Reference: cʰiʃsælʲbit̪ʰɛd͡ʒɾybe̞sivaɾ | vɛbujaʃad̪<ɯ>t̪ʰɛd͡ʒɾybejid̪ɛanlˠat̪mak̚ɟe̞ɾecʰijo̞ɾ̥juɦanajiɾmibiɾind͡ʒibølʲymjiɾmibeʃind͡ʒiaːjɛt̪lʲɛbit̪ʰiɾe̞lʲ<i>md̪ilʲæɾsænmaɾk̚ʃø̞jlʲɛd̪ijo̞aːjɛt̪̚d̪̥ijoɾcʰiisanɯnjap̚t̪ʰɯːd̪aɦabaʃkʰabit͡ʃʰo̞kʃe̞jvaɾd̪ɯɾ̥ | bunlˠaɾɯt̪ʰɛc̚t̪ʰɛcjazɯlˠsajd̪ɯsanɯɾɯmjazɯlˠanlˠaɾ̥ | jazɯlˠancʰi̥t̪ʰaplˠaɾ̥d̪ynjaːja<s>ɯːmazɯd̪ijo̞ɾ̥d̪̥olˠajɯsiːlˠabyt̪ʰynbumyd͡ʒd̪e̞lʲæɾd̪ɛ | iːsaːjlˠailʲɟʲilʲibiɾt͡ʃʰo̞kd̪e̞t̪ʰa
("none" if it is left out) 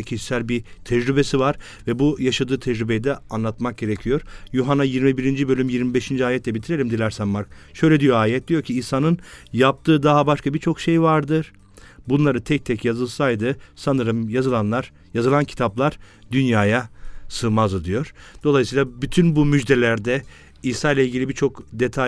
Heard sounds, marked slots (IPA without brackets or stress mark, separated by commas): ɯː, i, s